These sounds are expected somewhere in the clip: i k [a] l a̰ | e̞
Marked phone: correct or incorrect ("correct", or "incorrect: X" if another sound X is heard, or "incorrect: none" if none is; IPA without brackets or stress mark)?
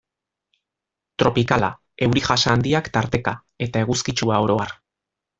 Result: correct